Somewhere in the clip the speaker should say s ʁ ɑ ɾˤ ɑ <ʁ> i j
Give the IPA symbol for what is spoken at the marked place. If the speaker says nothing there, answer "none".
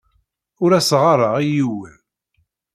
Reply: ʁ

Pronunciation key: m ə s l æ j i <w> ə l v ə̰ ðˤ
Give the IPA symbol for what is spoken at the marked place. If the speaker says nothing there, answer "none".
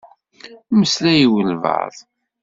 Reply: w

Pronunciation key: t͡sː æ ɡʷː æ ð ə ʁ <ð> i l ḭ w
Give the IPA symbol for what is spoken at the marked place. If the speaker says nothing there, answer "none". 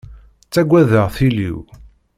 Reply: θ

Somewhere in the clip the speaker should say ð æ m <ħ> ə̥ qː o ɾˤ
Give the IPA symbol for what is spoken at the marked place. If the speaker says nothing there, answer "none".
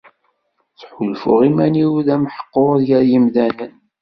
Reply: ħ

